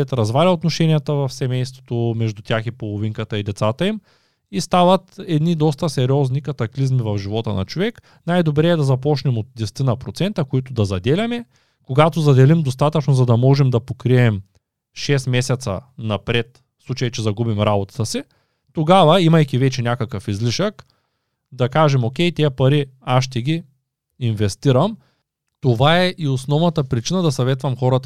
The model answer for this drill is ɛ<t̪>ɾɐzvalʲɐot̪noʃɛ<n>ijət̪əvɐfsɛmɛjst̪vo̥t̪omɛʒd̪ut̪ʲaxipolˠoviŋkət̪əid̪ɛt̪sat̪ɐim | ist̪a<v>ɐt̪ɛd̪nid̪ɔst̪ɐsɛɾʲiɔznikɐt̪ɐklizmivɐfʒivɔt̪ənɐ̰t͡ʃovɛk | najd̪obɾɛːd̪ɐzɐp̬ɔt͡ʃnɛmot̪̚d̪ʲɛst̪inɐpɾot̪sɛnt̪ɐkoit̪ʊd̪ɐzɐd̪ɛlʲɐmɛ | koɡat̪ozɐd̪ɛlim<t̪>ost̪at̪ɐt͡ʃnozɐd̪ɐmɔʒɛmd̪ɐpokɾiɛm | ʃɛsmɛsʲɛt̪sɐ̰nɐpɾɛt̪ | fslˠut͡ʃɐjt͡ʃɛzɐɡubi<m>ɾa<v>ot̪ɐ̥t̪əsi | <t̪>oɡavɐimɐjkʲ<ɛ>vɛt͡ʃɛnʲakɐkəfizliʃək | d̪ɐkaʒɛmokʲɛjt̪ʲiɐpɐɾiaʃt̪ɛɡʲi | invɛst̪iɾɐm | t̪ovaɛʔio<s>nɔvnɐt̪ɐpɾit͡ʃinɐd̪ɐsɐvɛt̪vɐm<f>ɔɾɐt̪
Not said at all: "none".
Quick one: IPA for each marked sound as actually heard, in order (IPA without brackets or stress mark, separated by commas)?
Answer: t̪, n, v, d̪, m, b, t̪, i, s, x